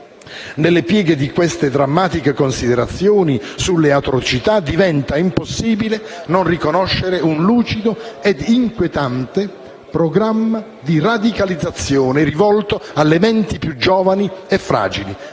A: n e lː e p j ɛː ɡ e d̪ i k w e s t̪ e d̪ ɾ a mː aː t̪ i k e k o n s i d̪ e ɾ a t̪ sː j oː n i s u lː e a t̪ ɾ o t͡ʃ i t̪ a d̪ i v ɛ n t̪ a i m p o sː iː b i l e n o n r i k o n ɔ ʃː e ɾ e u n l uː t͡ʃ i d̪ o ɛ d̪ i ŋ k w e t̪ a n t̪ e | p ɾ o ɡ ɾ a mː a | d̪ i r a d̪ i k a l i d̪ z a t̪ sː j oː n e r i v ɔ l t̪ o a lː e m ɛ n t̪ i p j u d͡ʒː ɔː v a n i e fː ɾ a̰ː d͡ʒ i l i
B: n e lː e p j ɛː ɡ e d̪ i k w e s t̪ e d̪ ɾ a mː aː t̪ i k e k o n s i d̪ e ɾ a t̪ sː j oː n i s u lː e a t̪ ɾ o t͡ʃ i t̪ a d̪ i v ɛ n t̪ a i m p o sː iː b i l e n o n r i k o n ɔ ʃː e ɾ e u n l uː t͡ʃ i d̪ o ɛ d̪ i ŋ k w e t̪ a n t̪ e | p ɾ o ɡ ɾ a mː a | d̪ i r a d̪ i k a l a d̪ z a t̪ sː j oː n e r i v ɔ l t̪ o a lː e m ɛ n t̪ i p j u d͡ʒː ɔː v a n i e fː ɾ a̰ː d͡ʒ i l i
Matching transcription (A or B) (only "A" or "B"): A